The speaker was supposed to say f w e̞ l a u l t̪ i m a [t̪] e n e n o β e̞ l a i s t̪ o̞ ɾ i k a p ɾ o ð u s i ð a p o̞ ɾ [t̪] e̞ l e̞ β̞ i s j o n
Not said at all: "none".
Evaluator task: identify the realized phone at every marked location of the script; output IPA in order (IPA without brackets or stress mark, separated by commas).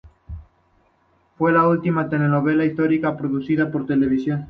t̪, t̪